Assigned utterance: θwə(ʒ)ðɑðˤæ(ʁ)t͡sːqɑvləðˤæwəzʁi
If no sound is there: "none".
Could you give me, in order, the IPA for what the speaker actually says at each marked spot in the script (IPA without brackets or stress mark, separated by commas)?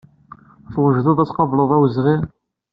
ʒ, none